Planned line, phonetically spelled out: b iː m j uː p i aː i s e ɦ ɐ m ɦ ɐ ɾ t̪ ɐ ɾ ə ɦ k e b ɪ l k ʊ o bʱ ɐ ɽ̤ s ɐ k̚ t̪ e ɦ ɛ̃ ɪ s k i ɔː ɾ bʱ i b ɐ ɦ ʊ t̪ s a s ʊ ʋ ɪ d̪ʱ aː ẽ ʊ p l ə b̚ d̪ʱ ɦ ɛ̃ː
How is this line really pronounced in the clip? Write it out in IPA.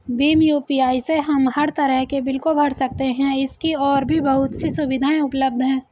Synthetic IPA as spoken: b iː m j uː p i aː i s e ɦ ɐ m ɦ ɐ ɾ t̪ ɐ ɾ ə ɦ k e b ɪ l k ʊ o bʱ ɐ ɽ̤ s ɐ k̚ t̪ e ɦ ɛ̃ ɪ s k i ɔː ɾ bʱ i b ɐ ɦ ʊ t̪ s i s ʊ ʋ ɪ d̪ʱ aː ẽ ʊ p l ə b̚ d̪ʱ ɦ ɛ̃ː